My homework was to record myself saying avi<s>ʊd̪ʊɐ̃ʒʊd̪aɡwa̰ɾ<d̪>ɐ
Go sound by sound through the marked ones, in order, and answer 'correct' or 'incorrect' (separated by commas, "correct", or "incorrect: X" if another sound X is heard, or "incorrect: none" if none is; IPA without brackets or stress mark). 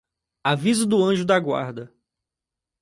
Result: incorrect: z, correct